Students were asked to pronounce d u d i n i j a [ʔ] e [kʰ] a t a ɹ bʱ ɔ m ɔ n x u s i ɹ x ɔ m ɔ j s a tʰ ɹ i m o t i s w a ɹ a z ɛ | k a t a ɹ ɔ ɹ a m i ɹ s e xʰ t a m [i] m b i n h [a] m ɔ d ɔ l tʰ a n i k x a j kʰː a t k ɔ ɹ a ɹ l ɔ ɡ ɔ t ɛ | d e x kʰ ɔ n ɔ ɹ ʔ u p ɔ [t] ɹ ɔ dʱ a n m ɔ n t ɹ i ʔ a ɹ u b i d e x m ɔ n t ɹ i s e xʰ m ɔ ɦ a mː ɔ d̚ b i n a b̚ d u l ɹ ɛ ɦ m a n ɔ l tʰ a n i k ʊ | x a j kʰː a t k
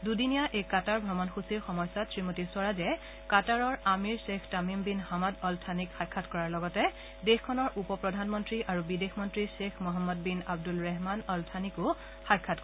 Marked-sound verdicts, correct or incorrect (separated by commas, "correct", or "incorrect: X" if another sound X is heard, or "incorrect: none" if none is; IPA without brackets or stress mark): correct, incorrect: k, correct, correct, incorrect: p